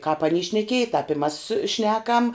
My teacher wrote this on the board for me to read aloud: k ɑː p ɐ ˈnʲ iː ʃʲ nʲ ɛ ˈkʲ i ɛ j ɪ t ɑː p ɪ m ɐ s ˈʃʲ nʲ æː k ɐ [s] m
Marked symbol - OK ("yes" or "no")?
no